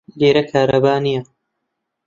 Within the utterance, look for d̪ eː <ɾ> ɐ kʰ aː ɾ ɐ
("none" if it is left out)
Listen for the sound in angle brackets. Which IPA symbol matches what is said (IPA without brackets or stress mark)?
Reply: ɾ